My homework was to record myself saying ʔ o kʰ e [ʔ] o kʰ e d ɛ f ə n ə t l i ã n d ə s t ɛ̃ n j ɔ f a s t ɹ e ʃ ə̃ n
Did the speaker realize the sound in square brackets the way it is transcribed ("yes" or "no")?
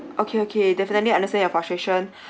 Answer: no